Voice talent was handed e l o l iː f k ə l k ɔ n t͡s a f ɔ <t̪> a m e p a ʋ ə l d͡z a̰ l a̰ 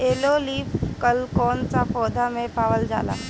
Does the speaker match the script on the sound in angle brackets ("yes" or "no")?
no